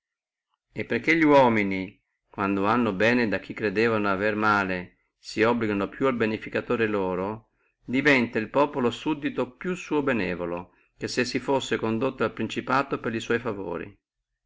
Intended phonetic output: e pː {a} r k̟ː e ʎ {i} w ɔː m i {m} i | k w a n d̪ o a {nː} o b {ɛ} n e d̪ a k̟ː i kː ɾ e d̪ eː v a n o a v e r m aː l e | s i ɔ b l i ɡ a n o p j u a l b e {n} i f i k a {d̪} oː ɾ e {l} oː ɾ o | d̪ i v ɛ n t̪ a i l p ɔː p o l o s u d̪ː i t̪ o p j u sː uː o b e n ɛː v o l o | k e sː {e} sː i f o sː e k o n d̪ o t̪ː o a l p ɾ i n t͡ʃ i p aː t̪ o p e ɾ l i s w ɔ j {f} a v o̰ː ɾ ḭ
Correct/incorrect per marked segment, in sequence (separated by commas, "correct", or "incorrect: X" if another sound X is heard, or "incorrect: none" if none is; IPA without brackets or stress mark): incorrect: e, correct, incorrect: n, correct, incorrect: ɛː, correct, incorrect: t̪, correct, correct, correct